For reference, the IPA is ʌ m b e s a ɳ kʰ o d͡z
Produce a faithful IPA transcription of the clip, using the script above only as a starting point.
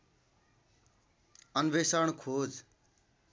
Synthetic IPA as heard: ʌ n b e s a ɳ kʰ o d͡z